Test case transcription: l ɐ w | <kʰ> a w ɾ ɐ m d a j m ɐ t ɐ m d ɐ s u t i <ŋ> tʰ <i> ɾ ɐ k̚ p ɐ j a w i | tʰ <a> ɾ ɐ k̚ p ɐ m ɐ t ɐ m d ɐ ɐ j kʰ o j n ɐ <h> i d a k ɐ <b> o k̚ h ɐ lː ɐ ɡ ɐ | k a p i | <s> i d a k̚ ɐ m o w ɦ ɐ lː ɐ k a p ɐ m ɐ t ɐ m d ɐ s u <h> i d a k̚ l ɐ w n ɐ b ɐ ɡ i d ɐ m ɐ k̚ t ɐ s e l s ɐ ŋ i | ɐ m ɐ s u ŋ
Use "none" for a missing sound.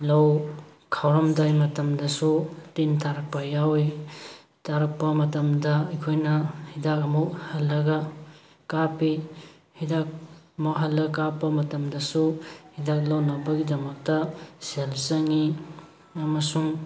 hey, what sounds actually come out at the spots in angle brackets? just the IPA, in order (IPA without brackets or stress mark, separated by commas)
kʰ, n, a, a, h, m, h, h